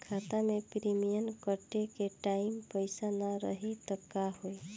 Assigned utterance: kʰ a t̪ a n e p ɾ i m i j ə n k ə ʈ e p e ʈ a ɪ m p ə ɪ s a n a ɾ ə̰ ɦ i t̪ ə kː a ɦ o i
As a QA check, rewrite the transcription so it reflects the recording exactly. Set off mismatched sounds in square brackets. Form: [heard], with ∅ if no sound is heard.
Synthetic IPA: kʰ a t̪ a [m] e p ɾ i m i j ə n k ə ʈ e [k] e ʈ a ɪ m p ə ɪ s a n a ɾ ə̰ ɦ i t̪ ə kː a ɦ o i